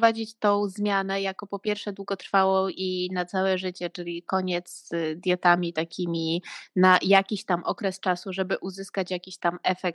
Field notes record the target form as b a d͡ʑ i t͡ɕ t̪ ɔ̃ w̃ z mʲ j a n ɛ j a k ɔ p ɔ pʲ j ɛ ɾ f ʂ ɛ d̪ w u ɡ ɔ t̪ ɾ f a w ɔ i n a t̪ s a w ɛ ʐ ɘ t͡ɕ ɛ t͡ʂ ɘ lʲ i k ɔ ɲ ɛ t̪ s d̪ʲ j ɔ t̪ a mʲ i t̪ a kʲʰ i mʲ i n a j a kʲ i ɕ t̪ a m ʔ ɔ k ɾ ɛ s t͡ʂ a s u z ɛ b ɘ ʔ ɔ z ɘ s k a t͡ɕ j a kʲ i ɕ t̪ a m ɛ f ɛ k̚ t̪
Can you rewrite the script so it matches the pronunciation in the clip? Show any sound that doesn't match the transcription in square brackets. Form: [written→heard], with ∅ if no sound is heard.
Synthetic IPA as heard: [b→v] a d͡ʑ i t͡ɕ t̪ ɔ̃ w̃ z mʲ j a n ɛ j a k ɔ p ɔ pʲ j ɛ ɾ f ʂ ɛ d̪ w u ɡ ɔ t̪ ɾ f a w ɔ i n a t̪ s a w ɛ ʐ ɘ t͡ɕ ɛ t͡ʂ ɘ lʲ i k ɔ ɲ ɛ t̪ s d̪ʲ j ɔ t̪ a mʲ i t̪ a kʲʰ i mʲ i n a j a kʲ i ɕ t̪ a m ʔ ɔ k ɾ ɛ s t͡ʂ a s u [z→ʐ] ɛ b ɘ ʔ [ɔ→u] z ɘ s k a t͡ɕ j a kʲ i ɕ t̪ a m ɛ f ɛ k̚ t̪